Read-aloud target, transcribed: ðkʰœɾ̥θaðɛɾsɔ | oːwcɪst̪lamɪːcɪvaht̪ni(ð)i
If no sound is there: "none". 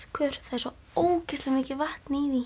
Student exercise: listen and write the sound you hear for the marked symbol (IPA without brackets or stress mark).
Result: ð